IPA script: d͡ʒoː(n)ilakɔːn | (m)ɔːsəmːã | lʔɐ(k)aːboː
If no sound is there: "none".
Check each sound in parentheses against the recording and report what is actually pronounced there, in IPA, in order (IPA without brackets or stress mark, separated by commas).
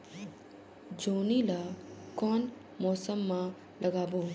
n, m, ɡ